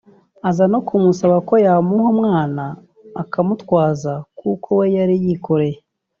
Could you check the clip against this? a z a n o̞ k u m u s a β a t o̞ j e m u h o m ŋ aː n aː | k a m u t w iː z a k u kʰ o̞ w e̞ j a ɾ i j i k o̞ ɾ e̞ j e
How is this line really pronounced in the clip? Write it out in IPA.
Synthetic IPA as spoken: a z a n o̞ k u m u s a β a k o̞ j a m u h o m ŋ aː n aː | k a m u t w aː z a k u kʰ o̞ w e̞ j a ɾ i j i k o̞ ɾ e̞ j e